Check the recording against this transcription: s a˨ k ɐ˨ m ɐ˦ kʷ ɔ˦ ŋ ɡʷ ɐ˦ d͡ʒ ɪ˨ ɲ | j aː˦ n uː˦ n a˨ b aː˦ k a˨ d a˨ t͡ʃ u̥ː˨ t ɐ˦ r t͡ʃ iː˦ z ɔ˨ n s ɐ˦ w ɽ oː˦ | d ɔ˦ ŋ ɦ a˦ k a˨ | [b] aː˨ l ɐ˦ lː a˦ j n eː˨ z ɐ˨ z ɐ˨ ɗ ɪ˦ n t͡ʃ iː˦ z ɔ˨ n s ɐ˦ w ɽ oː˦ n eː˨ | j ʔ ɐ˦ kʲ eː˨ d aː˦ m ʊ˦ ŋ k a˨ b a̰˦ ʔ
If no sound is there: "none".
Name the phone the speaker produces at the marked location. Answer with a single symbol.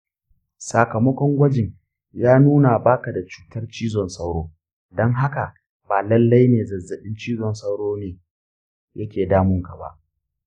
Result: b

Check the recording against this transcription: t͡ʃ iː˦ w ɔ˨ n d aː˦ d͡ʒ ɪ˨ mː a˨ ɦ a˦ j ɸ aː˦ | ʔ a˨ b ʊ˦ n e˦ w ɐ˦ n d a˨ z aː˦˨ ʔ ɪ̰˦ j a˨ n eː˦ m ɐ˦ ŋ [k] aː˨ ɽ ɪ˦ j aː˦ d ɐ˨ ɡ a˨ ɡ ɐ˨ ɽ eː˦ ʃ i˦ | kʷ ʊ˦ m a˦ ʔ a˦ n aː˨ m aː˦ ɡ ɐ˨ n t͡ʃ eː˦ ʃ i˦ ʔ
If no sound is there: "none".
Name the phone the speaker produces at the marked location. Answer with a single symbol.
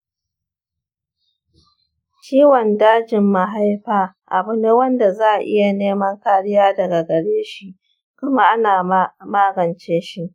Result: k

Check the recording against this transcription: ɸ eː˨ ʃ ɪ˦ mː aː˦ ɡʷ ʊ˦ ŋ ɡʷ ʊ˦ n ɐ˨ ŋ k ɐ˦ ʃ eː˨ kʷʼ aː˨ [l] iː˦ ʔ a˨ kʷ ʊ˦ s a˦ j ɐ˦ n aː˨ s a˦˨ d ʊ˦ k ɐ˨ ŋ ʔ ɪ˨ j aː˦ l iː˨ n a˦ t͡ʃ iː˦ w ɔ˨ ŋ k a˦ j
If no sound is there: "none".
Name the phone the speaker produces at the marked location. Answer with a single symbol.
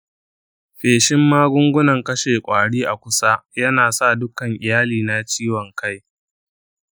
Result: ɽ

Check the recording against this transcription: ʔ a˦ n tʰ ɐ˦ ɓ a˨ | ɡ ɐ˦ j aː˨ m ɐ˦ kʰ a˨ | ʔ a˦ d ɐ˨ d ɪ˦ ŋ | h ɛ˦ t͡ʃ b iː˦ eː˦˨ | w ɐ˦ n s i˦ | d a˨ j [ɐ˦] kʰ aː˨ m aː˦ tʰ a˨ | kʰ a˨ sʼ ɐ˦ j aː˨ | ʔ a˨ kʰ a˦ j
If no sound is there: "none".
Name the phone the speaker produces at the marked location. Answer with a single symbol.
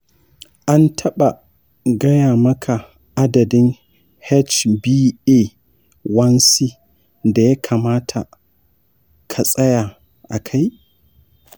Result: a˦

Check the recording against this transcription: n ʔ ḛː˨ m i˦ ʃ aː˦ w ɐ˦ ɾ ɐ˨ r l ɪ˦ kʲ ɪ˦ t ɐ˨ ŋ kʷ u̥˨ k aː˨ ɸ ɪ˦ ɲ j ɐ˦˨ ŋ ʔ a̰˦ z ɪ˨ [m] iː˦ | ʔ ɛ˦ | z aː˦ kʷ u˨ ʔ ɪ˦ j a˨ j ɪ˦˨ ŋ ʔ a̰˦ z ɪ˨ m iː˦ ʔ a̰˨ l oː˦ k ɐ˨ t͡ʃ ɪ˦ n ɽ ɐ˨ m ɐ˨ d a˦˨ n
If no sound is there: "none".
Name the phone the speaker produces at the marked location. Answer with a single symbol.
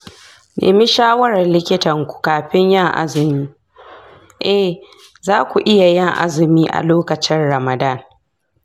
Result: m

